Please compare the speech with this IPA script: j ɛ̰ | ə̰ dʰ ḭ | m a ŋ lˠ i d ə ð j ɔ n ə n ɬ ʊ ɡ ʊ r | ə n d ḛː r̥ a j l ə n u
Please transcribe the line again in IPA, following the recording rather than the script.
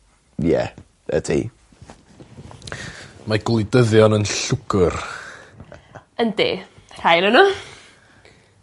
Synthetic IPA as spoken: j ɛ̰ | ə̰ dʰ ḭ | m a ɡ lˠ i d ə ð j ɔ n ə n ɬ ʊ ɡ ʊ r | ə n d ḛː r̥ a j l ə n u

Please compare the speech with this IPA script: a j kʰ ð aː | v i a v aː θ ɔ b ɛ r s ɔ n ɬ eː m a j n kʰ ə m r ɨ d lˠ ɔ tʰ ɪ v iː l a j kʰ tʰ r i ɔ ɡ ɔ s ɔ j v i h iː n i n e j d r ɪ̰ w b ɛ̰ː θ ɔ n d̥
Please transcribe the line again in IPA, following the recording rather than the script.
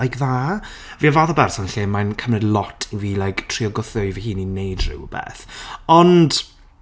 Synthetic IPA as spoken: a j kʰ ð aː | v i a v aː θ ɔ b ɛ r s ɔ n ɬ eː m a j n kʰ ə m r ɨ d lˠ ɔ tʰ i v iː l a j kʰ tʰ r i ɔ ɡ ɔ θ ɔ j v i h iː n i n e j d r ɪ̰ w b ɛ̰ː θ ɔ n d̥

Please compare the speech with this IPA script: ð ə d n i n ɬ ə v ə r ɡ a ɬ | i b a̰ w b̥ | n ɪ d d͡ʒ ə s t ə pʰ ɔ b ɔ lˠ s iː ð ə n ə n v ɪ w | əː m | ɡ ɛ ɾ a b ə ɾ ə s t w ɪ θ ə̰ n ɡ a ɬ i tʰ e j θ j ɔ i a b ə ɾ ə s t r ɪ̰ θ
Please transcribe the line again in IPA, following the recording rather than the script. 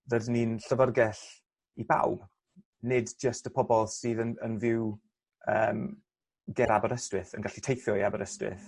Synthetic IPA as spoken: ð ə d n i n ɬ ə v ə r ɡ ɛ ɬ | i b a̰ w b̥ | n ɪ d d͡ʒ ə s t ə pʰ ɔ b ɔ lˠ s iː ð ə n ə n v ɪ w | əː m | ɡ ɛ ɾ a b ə ɾ ə s t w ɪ θ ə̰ n ɡ a ɬ i tʰ e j θ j ɔ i a b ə ɾ ə s t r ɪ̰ θ

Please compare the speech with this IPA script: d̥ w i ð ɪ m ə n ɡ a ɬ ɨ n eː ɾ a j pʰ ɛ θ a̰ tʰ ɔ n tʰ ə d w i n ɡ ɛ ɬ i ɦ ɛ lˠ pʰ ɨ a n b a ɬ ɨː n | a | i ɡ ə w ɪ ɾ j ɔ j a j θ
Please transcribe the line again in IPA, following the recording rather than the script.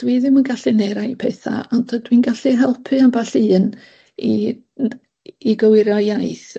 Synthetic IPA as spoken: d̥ w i ð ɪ m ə n ɡ a ɬ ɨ n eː ɾ a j pʰ ɛ θ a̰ ɔ n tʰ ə d w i n ɡ a ɬ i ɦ ɛ lˠ pʰ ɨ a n b a ɬ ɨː n | i | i ɡ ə w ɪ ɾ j ɔ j a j θ

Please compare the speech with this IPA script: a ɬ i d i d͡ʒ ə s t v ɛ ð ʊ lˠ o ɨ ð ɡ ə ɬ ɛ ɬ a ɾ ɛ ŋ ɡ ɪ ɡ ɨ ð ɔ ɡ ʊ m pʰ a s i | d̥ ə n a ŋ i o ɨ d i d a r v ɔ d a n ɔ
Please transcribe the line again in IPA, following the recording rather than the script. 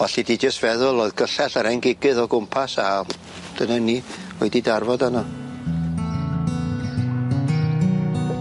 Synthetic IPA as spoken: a ɬ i d i d͡ʒ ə s t v ɛ ð ʊ lˠ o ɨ ð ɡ ə ɬ ɛ ɬ a ɾ ɛ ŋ ɡ ɪ ɡ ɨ ð ɔ ɡ ʊ m pʰ a s a | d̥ ə n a n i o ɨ d i d a r v ɔ d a n ɔ

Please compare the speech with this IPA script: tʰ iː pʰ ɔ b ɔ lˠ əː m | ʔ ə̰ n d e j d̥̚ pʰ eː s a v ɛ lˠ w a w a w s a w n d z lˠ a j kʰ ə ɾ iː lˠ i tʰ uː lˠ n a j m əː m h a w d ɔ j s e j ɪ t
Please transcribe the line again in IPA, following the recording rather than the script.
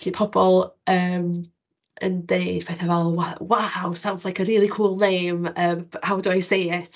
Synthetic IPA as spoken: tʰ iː pʰ ɔ b ɔ lˠ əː m | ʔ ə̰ n d e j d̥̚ pʰ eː θ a v ɛ lˠ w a w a w s a w n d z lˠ a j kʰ ə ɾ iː lˠ i kʰ uː lˠ n e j m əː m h a w d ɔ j s e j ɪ t

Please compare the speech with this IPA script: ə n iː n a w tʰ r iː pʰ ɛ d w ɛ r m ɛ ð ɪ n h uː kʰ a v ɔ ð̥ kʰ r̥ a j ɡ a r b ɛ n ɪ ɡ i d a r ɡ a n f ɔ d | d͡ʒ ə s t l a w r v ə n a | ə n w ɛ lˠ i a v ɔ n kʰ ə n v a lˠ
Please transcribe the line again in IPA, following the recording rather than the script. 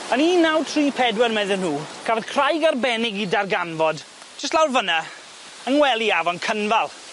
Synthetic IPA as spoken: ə n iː n a w tʰ r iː pʰ ɛ d w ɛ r m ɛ ð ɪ n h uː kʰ a v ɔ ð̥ kʰ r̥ a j ɡ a r b ɛ n ɪ ɡ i d a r ɡ a n v ɔ d | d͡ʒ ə s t l a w r v ə n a | ə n w ɛ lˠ i a v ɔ n kʰ ə n v a lˠ

